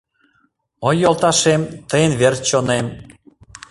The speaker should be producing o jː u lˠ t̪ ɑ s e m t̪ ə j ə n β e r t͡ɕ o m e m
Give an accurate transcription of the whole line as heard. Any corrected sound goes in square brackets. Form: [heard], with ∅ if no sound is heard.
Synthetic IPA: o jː [o] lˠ t̪ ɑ [ʃ] e m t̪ ə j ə n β e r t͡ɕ o [n] e m